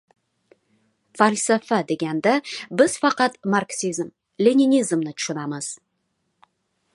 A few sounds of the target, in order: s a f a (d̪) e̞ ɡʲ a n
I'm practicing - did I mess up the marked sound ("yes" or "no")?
no